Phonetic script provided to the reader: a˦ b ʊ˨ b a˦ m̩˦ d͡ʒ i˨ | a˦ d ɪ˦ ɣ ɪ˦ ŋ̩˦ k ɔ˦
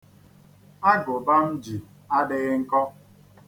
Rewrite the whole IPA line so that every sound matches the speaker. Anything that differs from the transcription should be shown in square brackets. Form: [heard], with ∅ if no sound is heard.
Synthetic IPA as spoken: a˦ [ɡ] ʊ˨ b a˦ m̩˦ d͡ʒ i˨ | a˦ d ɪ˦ ɣ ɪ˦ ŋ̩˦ k ɔ˦